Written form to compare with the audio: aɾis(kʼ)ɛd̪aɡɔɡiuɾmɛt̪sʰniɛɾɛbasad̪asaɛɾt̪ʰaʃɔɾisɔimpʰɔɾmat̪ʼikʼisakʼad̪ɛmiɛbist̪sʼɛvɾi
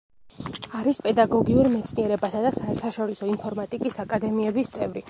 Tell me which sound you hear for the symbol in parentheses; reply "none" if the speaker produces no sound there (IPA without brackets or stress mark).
pʼ